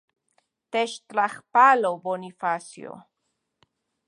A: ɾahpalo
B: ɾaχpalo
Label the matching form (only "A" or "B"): B